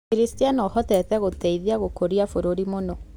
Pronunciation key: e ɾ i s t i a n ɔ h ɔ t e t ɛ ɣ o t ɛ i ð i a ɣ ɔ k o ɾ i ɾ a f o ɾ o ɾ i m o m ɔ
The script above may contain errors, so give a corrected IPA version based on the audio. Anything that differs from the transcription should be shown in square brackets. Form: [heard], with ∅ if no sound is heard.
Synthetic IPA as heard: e ɾ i s t i a n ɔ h ɔ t [ɛ] t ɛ ɣ o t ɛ i ð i a ɣ [o] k o ɾ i [∅] a f o ɾ o ɾ i m o [n] ɔ

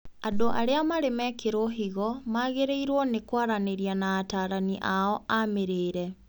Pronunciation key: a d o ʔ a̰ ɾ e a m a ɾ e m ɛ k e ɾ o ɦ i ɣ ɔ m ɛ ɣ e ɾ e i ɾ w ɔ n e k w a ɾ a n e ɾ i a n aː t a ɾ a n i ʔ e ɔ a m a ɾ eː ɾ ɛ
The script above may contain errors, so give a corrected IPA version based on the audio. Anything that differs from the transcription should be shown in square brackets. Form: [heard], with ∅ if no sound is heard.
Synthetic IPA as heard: a d o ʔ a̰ ɾ e a m a ɾ e m ɛ k e ɾ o ɦ i ɣ ɔ m [a] ɣ e ɾ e i ɾ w ɔ n e k w a ɾ a n e ɾ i a n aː t a ɾ a n i ʔ [a] ɔ a m [e] ɾ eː ɾ ɛ

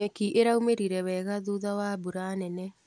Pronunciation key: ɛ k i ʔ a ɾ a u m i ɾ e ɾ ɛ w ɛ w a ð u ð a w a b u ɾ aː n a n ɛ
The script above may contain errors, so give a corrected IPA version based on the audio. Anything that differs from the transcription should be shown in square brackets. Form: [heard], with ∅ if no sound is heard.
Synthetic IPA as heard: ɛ k i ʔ [e] ɾ a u m [e] ɾ [i] ɾ ɛ w ɛ [ɣ] a ð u ð a w a b u ɾ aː n [ɛ] n ɛ

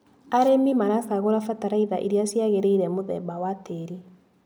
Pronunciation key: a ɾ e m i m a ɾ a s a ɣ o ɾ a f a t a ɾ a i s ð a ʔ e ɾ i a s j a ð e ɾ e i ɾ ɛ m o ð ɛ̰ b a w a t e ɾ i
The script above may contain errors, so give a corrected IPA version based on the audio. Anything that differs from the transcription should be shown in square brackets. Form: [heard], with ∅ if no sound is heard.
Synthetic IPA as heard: a ɾ e m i m a ɾ a s a ɣ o ɾ a f a t a ɾ a i [∅] ð a ʔ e ɾ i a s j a [ɣ] e ɾ e i ɾ ɛ m o ð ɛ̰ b a w a t e ɾ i

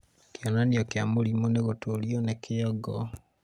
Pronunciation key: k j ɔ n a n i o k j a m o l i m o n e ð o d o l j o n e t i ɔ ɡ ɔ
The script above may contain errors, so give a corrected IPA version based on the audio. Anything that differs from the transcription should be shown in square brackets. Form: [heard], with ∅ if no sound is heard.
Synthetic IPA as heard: k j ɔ n a n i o k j a m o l i m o n e [ɣ] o [t] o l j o n e [k] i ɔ ɡ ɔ

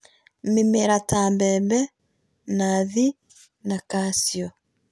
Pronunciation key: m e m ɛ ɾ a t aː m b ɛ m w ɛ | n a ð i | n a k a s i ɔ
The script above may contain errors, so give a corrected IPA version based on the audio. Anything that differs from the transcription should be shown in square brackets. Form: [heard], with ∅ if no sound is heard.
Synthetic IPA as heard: m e m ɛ ɾ a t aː m b ɛ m [b] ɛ | n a ð i | n a k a s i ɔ

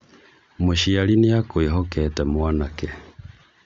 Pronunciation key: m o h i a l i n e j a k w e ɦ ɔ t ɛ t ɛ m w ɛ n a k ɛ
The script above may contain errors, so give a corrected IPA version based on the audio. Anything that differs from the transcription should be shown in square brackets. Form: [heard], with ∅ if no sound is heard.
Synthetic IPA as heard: m o [ʃ] i a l i n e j a k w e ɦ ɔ [k] ɛ t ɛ m w [a] n a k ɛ

